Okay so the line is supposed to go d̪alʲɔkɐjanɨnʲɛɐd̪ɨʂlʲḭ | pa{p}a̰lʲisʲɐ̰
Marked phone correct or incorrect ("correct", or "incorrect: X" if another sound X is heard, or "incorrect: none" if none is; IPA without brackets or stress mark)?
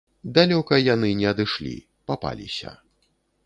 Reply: correct